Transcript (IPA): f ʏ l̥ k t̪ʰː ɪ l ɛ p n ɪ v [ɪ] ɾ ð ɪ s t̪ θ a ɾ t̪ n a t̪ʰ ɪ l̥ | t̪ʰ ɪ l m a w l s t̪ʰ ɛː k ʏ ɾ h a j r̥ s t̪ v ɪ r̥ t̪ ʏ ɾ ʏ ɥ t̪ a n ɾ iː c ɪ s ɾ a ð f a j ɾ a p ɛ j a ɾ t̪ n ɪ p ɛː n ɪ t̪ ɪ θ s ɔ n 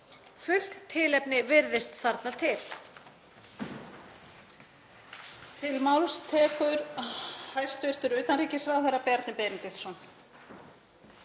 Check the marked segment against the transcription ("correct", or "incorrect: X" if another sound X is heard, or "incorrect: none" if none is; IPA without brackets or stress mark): correct